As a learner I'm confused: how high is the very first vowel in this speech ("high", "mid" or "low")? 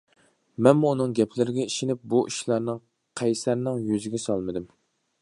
mid